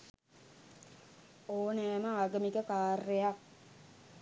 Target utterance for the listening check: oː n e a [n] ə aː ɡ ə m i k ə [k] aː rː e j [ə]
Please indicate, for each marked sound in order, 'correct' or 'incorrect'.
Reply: incorrect, correct, incorrect

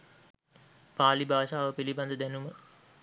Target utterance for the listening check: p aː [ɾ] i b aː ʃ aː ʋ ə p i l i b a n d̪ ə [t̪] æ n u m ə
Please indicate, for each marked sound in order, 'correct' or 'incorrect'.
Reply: incorrect, incorrect

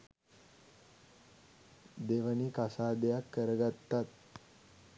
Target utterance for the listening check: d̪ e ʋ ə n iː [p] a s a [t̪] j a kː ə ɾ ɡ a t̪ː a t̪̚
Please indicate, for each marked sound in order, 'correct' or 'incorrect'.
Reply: incorrect, incorrect

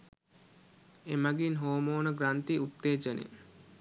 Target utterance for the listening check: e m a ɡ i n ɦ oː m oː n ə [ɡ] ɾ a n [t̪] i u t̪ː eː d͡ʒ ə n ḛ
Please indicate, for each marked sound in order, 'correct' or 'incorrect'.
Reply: correct, correct

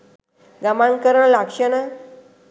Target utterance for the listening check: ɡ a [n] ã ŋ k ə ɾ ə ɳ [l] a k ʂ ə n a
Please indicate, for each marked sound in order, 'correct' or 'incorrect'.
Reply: incorrect, correct

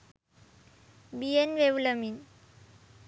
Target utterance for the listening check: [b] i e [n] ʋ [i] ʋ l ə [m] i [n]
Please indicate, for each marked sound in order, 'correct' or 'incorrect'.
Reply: correct, correct, incorrect, correct, correct

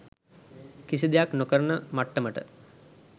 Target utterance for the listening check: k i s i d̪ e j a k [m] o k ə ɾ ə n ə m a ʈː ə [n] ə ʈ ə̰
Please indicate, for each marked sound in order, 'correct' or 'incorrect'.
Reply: incorrect, incorrect

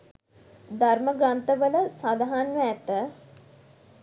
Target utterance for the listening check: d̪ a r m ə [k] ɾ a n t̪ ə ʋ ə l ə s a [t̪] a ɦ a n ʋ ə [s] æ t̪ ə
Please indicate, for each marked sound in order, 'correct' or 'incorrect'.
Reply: incorrect, incorrect, incorrect

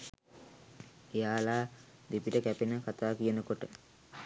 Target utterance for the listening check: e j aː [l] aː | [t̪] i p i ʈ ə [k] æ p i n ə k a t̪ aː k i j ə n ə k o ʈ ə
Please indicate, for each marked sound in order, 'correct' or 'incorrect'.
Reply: correct, incorrect, correct

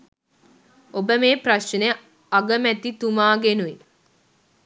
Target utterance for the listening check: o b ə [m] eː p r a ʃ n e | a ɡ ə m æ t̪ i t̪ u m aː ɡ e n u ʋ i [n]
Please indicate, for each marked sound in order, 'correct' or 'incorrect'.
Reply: correct, incorrect

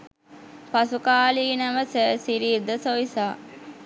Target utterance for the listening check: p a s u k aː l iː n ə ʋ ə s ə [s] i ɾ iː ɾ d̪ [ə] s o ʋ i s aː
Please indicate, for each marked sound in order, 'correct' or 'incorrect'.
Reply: correct, correct

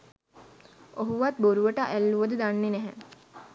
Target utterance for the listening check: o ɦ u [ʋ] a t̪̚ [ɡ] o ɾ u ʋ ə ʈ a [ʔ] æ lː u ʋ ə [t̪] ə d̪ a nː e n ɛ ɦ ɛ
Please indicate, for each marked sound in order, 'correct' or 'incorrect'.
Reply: correct, incorrect, correct, incorrect

